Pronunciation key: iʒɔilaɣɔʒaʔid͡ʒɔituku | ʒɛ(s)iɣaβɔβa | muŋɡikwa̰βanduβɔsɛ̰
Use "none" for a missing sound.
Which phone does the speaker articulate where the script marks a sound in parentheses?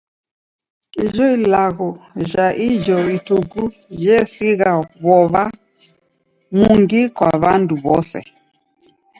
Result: s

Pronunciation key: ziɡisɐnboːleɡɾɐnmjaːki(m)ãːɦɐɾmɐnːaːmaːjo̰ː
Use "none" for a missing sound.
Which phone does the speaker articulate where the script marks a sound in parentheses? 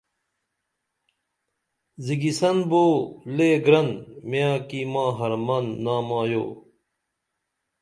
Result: m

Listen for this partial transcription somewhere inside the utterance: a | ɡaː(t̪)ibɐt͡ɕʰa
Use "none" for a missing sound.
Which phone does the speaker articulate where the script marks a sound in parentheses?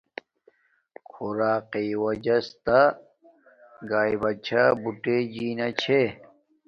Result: none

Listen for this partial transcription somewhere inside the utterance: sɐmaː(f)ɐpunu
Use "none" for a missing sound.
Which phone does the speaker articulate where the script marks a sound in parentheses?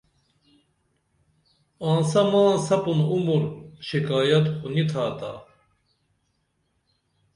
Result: s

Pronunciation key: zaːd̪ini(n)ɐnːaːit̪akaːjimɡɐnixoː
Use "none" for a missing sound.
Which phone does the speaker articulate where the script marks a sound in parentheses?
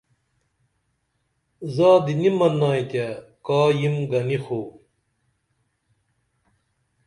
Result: m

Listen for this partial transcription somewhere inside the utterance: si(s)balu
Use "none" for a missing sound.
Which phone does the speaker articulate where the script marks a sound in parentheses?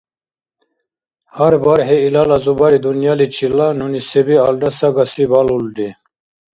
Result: none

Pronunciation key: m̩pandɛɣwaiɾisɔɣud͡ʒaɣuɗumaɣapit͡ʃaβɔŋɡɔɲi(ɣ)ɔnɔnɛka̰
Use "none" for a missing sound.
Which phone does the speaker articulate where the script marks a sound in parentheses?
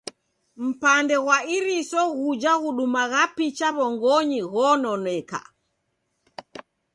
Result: ɣ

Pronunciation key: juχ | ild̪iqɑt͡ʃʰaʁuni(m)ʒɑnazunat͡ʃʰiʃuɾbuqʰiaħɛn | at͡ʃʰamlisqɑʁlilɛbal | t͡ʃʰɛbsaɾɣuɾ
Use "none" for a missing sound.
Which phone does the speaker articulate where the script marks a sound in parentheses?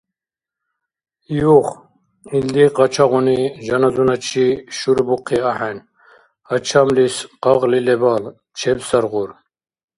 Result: none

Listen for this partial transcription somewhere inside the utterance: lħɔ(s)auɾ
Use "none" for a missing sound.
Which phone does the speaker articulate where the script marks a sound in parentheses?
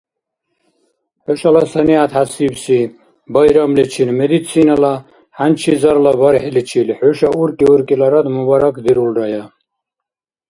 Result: ʃ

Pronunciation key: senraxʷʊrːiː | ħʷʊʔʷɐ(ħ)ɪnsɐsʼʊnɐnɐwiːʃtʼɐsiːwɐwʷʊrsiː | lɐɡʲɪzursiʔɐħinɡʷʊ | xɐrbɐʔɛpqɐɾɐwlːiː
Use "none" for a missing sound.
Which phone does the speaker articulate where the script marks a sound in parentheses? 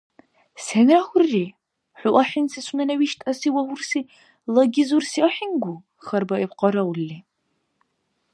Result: ħ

